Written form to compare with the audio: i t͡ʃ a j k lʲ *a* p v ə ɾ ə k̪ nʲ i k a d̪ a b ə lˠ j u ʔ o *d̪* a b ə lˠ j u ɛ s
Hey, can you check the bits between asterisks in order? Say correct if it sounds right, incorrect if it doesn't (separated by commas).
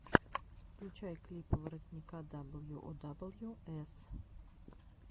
incorrect, correct